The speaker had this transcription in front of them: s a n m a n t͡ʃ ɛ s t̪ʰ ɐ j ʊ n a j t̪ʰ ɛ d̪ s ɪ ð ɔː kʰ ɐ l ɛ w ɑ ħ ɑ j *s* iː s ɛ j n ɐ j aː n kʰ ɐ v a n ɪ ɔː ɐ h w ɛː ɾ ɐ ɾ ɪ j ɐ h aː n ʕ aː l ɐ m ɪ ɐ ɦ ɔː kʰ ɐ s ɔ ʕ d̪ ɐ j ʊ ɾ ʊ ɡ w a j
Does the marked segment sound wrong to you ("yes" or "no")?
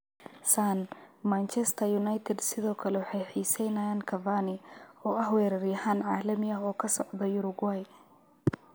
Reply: yes